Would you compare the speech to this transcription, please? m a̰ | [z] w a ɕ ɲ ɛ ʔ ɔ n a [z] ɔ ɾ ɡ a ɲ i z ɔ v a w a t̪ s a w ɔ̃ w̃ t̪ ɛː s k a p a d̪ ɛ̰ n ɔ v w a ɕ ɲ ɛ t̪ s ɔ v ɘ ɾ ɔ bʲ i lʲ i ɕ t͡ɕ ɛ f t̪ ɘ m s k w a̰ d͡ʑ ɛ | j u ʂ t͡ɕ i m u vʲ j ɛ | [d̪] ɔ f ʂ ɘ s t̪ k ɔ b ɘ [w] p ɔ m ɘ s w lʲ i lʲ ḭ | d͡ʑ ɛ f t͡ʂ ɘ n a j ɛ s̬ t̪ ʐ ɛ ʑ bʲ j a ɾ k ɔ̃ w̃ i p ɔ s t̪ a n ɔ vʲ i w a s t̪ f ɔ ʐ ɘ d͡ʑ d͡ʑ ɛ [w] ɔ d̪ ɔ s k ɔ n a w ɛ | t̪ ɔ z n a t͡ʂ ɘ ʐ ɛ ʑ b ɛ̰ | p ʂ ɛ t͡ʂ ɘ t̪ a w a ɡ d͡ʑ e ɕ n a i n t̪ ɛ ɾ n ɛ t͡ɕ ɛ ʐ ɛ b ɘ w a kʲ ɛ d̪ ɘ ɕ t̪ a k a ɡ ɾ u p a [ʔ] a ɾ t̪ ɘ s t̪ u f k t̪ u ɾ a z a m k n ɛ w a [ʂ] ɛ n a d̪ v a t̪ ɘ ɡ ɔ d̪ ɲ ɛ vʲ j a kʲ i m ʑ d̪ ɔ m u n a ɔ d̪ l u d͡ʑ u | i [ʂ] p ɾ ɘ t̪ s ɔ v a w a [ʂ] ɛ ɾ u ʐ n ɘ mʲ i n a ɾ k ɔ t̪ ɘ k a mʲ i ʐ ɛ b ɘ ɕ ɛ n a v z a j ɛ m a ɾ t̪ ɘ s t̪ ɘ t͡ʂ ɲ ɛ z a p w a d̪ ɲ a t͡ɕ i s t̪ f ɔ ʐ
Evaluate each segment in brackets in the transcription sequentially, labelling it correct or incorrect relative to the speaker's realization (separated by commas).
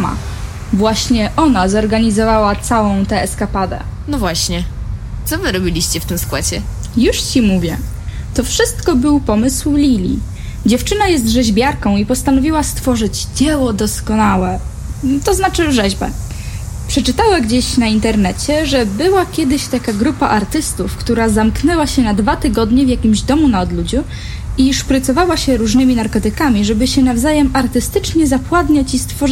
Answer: incorrect, correct, incorrect, correct, correct, correct, incorrect, correct, incorrect